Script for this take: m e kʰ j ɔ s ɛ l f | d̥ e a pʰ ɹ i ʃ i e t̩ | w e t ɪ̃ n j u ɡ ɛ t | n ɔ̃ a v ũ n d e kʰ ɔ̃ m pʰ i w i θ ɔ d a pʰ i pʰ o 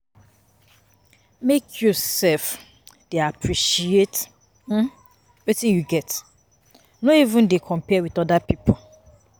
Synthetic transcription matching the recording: m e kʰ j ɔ s ɛ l f | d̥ e a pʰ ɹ i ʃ i e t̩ | w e t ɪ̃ n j u ɡ ɛ t | n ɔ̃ i v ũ n d e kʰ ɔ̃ m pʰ ɛ w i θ ɔ d a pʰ i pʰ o